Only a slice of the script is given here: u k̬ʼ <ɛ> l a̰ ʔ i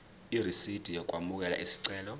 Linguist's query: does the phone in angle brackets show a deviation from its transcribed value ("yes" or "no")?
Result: no